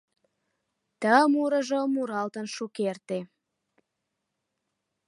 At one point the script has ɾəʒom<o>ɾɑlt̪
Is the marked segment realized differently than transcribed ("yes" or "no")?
yes